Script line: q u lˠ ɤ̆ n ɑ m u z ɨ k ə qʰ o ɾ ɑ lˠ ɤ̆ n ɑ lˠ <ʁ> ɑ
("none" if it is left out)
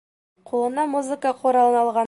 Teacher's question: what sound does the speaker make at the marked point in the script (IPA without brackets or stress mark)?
ʁ